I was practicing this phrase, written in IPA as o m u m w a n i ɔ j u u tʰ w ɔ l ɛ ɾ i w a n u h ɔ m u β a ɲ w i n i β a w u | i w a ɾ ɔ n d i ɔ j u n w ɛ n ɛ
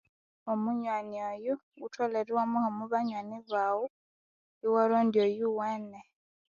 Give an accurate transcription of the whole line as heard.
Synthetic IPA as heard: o m u ɲ w a n i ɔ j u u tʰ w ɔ l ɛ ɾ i w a m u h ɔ m u β a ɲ w a n i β a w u | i w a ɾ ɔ n d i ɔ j u w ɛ n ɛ